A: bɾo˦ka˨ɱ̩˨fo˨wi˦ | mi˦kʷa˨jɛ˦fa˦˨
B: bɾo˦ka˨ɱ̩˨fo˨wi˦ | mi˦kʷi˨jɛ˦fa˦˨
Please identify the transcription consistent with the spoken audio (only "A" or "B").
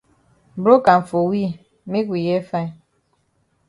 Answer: B